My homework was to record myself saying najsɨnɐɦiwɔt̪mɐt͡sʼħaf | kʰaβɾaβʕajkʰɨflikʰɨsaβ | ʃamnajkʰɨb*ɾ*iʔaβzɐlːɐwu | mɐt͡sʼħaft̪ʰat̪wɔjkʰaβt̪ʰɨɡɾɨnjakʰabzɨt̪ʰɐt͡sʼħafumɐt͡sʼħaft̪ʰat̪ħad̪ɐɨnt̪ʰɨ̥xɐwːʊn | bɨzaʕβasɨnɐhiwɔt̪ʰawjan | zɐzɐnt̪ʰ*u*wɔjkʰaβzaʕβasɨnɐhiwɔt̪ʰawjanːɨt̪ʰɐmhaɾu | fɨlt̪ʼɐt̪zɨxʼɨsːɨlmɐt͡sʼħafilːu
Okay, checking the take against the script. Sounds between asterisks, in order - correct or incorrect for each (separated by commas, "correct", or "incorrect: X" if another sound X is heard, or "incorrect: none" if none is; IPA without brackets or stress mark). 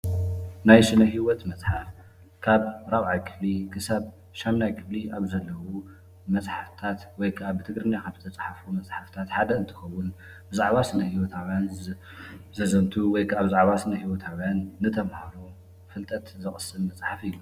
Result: incorrect: l, correct